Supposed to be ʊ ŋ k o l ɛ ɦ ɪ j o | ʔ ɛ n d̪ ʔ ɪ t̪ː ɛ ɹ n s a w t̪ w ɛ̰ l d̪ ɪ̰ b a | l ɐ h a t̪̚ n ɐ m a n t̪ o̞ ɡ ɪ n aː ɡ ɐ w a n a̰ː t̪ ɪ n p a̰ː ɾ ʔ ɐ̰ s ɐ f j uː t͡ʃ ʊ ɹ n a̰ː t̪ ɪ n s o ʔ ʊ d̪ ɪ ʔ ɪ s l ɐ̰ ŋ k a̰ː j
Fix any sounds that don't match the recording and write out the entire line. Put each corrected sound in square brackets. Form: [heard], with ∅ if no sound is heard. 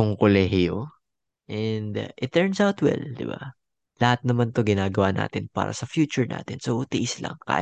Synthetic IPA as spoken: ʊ ŋ k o l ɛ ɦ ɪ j o | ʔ ɛ n d̪ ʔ ɪ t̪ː ɛ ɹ n s a w t̪ w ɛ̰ l d̪ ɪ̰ b a | l ɐ h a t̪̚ n ɐ m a n t̪ o̞ ɡ ɪ n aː ɡ ɐ w a n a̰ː t̪ ɪ n p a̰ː ɾ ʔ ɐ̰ s ɐ f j uː t͡ʃ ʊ ɹ n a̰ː t̪ ɪ n s o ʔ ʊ [t̪] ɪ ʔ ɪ s l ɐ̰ ŋ k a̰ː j